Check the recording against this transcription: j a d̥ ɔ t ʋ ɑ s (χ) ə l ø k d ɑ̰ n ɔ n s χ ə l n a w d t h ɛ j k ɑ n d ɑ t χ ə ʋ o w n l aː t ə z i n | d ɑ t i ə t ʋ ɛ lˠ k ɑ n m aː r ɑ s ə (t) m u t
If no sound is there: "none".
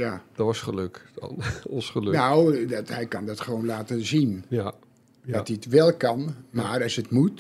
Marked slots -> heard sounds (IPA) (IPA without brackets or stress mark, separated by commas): χ, t